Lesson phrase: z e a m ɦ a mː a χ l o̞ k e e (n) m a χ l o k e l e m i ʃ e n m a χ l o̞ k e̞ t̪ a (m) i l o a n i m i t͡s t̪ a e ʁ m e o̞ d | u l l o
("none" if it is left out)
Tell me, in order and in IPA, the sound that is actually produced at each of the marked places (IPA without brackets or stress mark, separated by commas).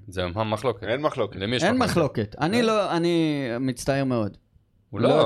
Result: n, n